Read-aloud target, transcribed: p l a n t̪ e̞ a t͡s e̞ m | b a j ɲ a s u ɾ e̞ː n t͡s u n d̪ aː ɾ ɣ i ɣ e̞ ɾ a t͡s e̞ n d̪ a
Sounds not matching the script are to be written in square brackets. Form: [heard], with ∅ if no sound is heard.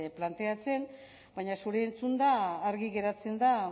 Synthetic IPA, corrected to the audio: p l a n t̪ e̞ a t͡s e̞ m | b a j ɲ a s u ɾ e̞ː n t͡s u n d̪ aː ɾ ɣ i ɣ e̞ ɾ a t͡s e̞ n d̪ a

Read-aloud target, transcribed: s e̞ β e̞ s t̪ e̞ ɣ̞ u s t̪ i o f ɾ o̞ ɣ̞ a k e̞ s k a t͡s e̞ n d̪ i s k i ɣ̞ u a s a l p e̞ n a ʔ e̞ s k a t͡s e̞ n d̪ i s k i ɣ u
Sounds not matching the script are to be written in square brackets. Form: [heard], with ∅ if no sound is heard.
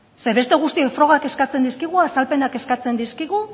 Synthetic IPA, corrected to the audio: s e̞ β e̞ s t̪ e̞ ɣ̞ u s t̪ i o f ɾ o̞ ɣ̞ a k e̞ s k a t͡s e̞ n d̪ i s k i ɣ̞ u a s a l p e̞ n a [k] e̞ s k a t͡s e̞ n d̪ i s k i ɣ u

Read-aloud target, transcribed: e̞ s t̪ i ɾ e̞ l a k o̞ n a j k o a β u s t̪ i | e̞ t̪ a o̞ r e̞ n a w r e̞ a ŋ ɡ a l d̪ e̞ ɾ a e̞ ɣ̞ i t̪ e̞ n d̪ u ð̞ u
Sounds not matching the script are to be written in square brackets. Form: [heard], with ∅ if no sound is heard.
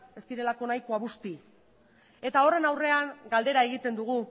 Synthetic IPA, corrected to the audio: e̞ s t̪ i ɾ e̞ l a k o̞ n a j k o a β u s t̪ i | e̞ t̪ a o̞ r e̞ n a w r e̞ a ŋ ɡ a l d̪ e̞ ɾ a e̞ ɣ̞ i t̪ e̞ n d̪ u [ɣ̞] u

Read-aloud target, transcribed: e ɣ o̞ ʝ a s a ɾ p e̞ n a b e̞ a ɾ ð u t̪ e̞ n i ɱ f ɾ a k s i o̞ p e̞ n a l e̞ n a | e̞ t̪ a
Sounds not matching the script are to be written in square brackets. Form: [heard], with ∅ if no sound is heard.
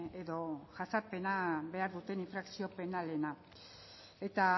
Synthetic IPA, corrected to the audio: e [ð] o̞ ʝ a s a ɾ p e̞ n a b e̞ a ɾ ð u t̪ e̞ n i ɱ f ɾ a k s i o̞ p e̞ n a l e̞ n a | e̞ t̪ a

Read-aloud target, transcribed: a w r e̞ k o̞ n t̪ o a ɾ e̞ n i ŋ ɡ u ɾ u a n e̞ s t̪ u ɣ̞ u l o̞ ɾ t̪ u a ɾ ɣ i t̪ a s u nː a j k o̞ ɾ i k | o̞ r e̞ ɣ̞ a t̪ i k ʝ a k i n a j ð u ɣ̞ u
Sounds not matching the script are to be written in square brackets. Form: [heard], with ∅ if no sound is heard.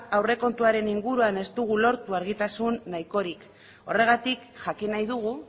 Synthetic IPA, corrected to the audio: a w r e̞ k o̞ n t̪ [u] a ɾ e̞ n i ŋ ɡ u ɾ u a n e̞ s t̪ u ɣ̞ u l o̞ ɾ t̪ u a ɾ ɣ i t̪ a s u nː a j k o̞ ɾ i k | o̞ r e̞ ɣ̞ a t̪ i k ʝ a k i n a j ð u ɣ̞ u

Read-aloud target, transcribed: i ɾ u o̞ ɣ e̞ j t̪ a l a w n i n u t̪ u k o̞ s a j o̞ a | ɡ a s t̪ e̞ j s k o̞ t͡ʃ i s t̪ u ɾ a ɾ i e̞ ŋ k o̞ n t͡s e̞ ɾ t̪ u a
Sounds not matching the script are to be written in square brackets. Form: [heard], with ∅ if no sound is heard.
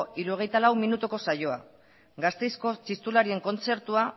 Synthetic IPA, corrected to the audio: i ɾ u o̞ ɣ e̞ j t̪ a l a w [m] i n u t̪ u k o̞ s a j o̞ a | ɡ a s t̪ e̞ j s k o̞ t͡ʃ i s t̪ u [l] a ɾ i e̞ ŋ k o̞ n t͡s e̞ ɾ t̪ u a

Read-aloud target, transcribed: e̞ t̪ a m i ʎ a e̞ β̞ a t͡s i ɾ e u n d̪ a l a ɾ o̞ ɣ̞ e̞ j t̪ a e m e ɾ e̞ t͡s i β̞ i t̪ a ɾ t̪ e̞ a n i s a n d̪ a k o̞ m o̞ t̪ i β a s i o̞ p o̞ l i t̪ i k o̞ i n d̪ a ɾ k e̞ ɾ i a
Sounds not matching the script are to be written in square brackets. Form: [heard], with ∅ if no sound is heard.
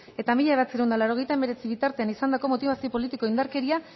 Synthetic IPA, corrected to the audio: e̞ t̪ a m i ʎ a e̞ β̞ a t͡s i ɾ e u n d̪ a l a ɾ o̞ ɣ̞ e̞ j t̪ a e m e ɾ e̞ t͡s i β̞ i t̪ a ɾ t̪ e̞ a n i s a n d̪ a k o̞ m o̞ t̪ i β a s i o̞ p o̞ l i t̪ i k o̞ i n d̪ a ɾ k e̞ ɾ i a

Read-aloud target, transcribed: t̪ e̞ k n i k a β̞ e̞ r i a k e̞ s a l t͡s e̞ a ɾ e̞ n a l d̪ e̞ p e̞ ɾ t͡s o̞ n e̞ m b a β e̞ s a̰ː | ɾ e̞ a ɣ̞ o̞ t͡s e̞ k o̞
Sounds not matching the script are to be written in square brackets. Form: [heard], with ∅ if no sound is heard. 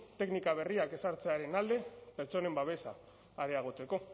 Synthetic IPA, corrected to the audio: t̪ e̞ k n i k a β̞ e̞ r i a k e̞ s a [ɾ] t͡s e̞ a ɾ e̞ n a l d̪ e̞ p e̞ ɾ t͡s o̞ n e̞ m b a β e̞ s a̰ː | ɾ e̞ a ɣ̞ o̞ t͡s e̞ k o̞

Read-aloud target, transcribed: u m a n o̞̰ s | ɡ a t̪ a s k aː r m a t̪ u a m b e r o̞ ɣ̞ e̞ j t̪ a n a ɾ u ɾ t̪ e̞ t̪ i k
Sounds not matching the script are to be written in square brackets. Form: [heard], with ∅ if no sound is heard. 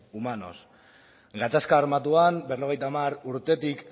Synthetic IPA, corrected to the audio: u m a n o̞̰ s | ɡ a t̪ a s k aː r m a t̪ u a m b e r o̞ ɣ̞ e̞ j t̪ a [m] a ɾ u ɾ t̪ e̞ t̪ i k

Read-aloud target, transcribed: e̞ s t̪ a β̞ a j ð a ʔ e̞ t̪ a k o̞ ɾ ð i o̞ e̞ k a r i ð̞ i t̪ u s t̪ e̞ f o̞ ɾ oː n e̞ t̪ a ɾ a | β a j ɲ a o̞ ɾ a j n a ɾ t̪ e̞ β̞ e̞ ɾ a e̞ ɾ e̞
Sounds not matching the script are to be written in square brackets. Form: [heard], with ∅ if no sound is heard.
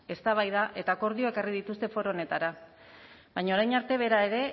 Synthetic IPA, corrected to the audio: e̞ s t̪ a β̞ a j ð a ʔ e̞ t̪ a k o̞ ɾ ð i o̞ e̞ k a r i ð̞ i t̪ u s t̪ e̞ f o̞ ɾ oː n e̞ t̪ a ɾ a | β a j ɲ a o̞ ɾ a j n a ɾ t̪ e̞ β̞ e̞ ɾ a e̞ ɾ e̞

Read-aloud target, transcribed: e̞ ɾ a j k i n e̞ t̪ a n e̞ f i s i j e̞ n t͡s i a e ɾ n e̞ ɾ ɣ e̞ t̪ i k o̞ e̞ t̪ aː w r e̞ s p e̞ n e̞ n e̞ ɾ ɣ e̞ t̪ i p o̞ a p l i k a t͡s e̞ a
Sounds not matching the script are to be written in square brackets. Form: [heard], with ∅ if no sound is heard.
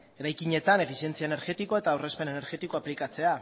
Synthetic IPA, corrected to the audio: e̞ ɾ a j k i [ɲ] e̞ t̪ a n e̞ f i s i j e̞ n t͡s i a e [∅] n e̞ ɾ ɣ e̞ t̪ i k o̞ e̞ t̪ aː w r e̞ s p e̞ n e̞ n e̞ ɾ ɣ e̞ t̪ i [k] o̞ a p l i k a t͡s e̞ a

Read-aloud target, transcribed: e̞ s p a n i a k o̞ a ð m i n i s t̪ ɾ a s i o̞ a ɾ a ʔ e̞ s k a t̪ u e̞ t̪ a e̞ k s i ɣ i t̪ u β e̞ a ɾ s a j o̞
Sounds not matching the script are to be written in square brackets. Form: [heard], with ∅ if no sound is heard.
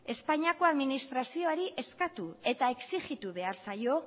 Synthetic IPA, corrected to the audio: e̞ s p a [ɲ] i a k o̞ a ð m i n i s t̪ ɾ a s i o̞ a ɾ [i] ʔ e̞ s k a t̪ u e̞ t̪ a e̞ k s i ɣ i t̪ u β e̞ a ɾ s a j o̞

